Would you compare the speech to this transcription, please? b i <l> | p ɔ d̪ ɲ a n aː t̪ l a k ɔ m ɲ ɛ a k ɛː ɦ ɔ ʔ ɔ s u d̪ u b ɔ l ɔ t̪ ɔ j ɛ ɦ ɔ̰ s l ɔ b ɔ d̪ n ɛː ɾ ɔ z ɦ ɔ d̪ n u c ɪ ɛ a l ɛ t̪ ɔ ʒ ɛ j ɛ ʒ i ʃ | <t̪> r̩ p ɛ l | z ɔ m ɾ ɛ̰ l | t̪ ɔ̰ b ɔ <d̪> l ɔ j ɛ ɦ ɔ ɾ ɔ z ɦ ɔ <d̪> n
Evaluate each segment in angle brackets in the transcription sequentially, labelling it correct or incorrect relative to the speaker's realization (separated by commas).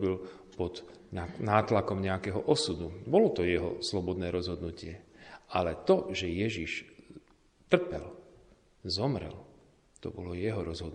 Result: correct, correct, incorrect, correct